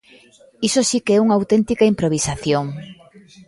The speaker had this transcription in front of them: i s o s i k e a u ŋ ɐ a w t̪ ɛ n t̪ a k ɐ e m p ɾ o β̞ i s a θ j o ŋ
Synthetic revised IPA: i s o s i k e ɛ u ŋ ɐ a w t̪ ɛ n t̪ i k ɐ i m p ɾ o β̞ i s a θ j o ŋ

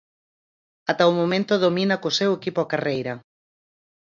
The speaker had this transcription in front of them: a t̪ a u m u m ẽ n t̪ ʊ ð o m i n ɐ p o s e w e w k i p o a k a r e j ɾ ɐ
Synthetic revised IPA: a t̪ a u m o m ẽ n t̪ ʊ ð o m i n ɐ k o s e w e k i p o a k a r e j ɾ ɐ

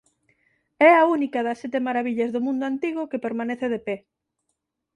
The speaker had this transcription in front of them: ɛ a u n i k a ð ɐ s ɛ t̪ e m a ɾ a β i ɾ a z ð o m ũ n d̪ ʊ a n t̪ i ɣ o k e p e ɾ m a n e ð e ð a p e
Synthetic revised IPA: ɛ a u n i k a ð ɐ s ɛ t̪ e m a ɾ a β i ʎ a z ð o m ũ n d̪ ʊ a n t̪ i ɣ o k e p e ɾ m a n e θ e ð e p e

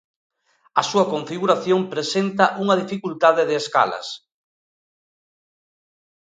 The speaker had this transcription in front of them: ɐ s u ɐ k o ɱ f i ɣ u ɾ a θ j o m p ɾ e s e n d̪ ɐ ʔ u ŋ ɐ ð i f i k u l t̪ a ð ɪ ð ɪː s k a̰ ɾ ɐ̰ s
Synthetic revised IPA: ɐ s u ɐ k o ɱ f i ɣ u ɾ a θ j o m p ɾ e s e n t̪ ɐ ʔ u ŋ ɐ ð i f i k u l t̪ a ð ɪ ð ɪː s k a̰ l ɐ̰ s

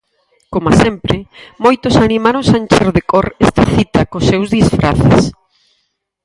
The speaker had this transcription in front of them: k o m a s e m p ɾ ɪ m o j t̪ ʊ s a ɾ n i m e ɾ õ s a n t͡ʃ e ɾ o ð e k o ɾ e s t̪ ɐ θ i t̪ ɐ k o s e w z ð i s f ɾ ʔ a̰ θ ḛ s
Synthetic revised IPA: k o m a s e m p ɾ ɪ m o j t̪ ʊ s a n i m a ɾ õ s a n t͡ʃ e ɾ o ð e k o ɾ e s t̪ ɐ θ i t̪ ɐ k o s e w z ð i s f ɾ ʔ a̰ θ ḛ s

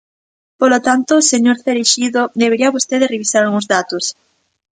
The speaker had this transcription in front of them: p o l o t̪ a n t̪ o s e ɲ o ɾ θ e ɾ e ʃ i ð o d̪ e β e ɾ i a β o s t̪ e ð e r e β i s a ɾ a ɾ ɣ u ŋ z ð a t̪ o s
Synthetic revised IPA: p o l o t̪ a n t̪ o s e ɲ o ɾ θ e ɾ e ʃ i ð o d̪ e β e ɾ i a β o s t̪ e ð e r e β i s a ɾ a l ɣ u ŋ z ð a t̪ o s

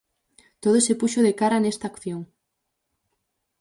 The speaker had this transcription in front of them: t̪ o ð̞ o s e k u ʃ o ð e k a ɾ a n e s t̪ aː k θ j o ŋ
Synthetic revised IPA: t̪ o ð̞ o s e p u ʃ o ð e k a ɾ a n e s t̪ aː k θ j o ŋ

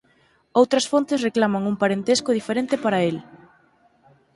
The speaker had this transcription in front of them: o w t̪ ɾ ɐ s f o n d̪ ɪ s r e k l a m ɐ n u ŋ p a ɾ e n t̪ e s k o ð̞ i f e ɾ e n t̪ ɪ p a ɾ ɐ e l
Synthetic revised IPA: o w t̪ ɾ ɐ s f o n t̪ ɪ s r e k l a m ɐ ŋ u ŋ p a ɾ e n t̪ e s k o ð̞ i f e ɾ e n t̪ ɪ p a ɾ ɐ e l

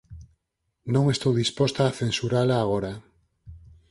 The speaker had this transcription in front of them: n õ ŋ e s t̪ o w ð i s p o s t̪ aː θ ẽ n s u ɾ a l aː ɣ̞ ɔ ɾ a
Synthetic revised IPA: n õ ŋ e s t̪ o w ð i s p o s t̪ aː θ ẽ n s u ɾ a l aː ɣ̞ o ɾ a

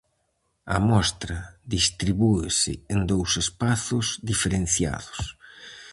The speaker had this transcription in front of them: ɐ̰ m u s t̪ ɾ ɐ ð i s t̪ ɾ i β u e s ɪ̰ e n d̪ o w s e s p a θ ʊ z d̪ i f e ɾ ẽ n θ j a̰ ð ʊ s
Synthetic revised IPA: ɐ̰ m ɔ s t̪ ɾ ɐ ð i s t̪ ɾ i β u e s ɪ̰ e n d̪ o w s e s p a θ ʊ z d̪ i f e ɾ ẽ n θ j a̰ ð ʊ s

